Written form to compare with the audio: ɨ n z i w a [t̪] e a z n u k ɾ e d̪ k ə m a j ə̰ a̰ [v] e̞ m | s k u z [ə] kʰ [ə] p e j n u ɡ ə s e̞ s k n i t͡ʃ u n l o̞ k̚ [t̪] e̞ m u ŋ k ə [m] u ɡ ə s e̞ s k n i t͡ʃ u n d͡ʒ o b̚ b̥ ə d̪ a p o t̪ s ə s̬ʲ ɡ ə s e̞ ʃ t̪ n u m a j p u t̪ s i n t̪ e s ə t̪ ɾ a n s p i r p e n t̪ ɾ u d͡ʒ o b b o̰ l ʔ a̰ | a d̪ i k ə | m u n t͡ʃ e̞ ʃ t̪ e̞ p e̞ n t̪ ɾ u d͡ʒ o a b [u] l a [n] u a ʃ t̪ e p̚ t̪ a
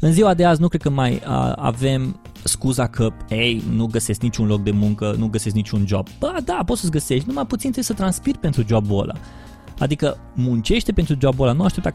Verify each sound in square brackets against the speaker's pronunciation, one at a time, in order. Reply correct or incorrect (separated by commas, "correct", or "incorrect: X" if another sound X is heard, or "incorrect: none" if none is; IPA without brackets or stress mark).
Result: incorrect: d̪, correct, incorrect: a, correct, incorrect: d̪, incorrect: n, incorrect: o, correct